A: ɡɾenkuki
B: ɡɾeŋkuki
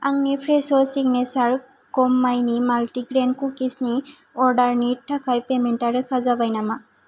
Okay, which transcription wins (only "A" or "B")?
A